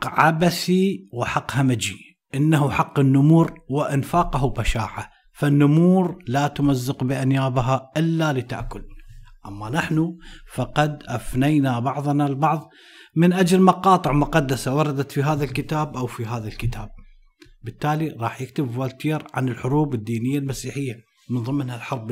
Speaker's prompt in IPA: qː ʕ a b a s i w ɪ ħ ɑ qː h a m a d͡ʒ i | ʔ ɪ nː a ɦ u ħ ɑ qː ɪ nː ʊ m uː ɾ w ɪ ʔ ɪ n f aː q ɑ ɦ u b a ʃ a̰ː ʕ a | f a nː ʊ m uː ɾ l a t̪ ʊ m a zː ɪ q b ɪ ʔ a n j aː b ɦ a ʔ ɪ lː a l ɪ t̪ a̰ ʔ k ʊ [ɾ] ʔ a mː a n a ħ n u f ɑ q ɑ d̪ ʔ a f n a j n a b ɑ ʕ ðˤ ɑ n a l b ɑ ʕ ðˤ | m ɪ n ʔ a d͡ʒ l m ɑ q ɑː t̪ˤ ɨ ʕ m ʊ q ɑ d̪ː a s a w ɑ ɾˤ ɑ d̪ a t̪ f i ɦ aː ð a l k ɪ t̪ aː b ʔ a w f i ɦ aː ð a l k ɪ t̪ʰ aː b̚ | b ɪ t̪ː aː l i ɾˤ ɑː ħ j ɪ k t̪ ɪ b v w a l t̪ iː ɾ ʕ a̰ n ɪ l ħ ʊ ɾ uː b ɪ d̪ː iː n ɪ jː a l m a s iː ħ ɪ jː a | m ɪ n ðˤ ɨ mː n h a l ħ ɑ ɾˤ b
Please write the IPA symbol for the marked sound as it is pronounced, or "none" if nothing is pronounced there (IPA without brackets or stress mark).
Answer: l